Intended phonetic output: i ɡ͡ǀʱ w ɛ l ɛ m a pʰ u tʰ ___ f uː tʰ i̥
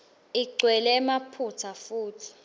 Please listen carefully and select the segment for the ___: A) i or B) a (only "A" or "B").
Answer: B